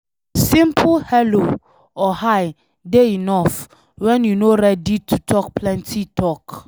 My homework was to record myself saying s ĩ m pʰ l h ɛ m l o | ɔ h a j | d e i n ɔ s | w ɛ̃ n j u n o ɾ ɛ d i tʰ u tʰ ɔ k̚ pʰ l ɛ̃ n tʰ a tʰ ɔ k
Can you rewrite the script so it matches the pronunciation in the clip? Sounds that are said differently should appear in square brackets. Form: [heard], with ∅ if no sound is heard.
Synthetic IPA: s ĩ m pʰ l h ɛ [∅] l o | ɔ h a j | d e i n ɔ [f] | w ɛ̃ n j u n o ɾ ɛ d i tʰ u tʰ ɔ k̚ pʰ l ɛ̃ n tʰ [i] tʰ ɔ k